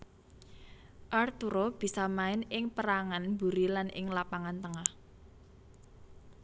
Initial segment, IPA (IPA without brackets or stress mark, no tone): ʔ